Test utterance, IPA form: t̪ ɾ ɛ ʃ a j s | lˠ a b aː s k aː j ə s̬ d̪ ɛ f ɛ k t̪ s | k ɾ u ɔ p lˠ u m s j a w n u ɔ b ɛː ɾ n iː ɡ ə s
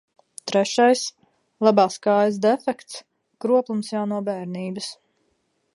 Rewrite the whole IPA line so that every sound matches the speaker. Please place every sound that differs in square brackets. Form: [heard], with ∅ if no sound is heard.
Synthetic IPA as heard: t̪ ɾ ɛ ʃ a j s | lˠ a b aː s k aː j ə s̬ d̪ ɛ f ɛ k t̪ s | k ɾ u ɔ p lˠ u m s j a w n u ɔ b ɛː ɾ n iː [b] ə s